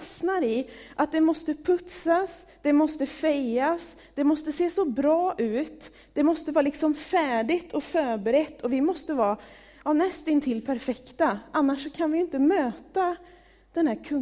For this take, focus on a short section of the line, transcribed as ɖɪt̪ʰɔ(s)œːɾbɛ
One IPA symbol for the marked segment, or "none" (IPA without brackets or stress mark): f